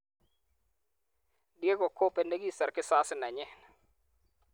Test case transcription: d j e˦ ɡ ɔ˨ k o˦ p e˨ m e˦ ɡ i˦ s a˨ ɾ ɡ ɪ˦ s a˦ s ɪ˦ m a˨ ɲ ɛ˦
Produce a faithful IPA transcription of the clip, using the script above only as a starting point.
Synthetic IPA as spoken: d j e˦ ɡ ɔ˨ k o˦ p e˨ n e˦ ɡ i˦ s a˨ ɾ k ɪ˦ s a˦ s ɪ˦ n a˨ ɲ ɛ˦

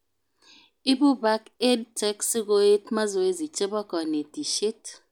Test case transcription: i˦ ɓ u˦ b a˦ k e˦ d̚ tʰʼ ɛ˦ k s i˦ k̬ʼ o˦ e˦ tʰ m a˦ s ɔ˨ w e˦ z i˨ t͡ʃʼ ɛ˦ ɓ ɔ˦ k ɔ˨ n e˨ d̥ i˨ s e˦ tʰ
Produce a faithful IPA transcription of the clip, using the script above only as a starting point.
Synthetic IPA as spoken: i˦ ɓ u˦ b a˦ k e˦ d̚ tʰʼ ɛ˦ k s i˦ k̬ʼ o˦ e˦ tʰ m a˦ z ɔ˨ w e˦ z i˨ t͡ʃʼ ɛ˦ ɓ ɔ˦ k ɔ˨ n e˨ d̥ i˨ ʃ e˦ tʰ

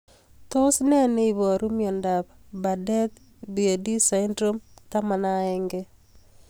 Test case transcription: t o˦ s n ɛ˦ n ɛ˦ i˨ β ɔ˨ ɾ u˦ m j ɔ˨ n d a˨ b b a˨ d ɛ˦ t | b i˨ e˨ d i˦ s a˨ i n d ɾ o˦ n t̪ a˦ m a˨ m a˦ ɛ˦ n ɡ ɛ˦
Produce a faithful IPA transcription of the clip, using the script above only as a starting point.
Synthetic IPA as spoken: t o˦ s n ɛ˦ n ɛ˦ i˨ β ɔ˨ ɾ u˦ m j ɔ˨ n d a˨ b b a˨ d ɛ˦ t | b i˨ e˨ d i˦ s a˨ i n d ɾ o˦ m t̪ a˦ m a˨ n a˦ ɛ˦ ŋ ɡ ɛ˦

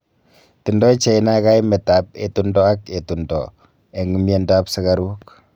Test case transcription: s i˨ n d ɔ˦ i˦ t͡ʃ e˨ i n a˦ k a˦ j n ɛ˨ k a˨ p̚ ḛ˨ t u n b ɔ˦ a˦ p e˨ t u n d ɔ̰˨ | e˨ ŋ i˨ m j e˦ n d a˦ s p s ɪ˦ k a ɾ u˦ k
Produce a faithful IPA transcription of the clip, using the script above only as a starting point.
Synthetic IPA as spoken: t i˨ n d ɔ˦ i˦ t͡ʃ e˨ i n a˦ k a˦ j m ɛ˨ t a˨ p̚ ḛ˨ t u n d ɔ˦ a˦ k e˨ t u n d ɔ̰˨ | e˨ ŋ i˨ m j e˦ n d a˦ p s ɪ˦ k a ɾ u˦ k

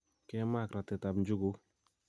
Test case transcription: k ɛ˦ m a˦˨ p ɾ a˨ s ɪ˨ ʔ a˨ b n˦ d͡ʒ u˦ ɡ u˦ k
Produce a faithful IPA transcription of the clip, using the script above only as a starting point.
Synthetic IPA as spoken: k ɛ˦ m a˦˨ k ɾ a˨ t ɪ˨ t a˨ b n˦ d͡ʒ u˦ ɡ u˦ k

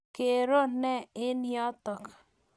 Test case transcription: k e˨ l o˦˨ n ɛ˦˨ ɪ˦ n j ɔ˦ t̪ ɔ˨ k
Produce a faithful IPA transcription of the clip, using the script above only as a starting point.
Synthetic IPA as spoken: k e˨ ɾ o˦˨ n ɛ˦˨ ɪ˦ n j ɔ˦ t̪ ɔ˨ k

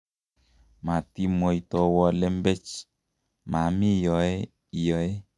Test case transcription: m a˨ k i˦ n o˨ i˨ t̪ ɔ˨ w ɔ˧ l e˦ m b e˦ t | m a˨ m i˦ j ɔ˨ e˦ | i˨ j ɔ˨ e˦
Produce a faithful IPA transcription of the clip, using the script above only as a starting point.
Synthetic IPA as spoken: m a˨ t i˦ m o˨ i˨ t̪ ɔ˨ w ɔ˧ l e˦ m b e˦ t͡ʃ | m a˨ m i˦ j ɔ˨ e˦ | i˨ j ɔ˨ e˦

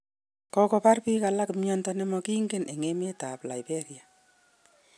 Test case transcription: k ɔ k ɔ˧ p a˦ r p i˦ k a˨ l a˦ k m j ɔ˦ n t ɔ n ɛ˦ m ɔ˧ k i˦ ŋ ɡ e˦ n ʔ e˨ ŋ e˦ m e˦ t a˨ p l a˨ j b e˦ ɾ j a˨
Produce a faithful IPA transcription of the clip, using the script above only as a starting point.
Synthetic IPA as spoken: k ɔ k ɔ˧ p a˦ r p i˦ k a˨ l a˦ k m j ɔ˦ n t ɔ n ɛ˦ m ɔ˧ k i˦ ŋ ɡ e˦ n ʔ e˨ ŋ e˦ m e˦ t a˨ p l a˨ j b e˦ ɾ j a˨

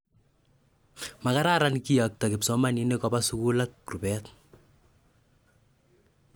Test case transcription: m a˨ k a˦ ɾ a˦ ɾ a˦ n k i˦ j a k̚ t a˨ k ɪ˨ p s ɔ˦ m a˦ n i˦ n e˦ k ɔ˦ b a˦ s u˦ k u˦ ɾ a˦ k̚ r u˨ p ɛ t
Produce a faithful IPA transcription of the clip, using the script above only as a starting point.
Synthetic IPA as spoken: m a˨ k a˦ ɾ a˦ ɾ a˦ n k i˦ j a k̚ t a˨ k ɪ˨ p s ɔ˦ m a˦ n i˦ n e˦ k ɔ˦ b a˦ s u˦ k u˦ l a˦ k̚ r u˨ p ɛ t

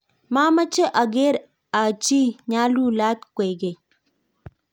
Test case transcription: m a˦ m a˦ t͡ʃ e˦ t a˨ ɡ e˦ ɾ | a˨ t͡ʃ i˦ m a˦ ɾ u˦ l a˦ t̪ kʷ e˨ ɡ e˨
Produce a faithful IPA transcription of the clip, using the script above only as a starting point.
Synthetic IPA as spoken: m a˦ m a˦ t͡ʃ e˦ ʔ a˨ ɡ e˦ ɾ | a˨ t͡ʃ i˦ ɲ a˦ l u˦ l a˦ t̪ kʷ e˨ ɡ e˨

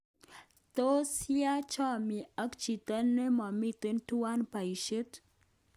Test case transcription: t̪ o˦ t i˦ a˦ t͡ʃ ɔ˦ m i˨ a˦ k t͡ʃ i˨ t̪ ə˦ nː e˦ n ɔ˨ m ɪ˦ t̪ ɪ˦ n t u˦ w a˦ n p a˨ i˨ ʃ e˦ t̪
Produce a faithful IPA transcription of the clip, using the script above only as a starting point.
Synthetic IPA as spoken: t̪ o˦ s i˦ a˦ t͡ʃ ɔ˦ m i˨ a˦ k t͡ʃ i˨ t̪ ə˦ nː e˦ m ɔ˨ m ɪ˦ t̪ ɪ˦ n t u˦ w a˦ n p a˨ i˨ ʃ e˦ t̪

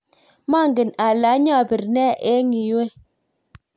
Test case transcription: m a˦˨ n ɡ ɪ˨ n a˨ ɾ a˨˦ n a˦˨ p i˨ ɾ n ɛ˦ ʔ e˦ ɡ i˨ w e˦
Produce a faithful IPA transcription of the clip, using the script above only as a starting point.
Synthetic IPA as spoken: m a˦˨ ŋ ɡ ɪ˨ n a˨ l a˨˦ ɲ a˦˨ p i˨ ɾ n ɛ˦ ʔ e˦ ŋ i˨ w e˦

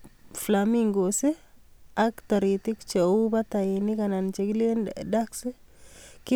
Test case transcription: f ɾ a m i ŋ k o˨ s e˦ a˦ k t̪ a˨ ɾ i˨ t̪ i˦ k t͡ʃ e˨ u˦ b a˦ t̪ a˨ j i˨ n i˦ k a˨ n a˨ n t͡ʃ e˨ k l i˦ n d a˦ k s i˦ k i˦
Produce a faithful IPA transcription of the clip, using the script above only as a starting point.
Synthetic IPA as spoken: f l a m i ŋ ɡ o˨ s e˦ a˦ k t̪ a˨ ɾ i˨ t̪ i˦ k t͡ʃ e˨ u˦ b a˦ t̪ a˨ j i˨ n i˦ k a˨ n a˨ n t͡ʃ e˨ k l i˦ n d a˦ k s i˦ k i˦

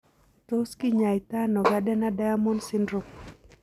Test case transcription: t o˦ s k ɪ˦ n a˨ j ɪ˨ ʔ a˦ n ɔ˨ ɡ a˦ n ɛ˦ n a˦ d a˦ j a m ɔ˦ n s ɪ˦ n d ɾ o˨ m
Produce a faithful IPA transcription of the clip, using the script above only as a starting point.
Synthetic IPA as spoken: t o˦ s k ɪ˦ ɲ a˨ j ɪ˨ t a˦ n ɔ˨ ɡ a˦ d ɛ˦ n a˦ d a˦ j a m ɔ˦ n s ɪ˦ n d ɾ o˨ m

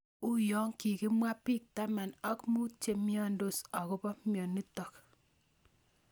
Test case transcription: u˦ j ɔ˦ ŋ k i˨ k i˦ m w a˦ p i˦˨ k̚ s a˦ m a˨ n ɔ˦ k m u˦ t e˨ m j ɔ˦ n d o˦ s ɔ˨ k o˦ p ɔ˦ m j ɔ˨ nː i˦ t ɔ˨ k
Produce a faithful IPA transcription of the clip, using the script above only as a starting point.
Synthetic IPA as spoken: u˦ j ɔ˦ ŋ k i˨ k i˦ m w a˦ p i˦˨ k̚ t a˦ m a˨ n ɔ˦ k m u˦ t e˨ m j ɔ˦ n d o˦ s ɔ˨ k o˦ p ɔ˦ m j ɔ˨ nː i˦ t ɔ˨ k

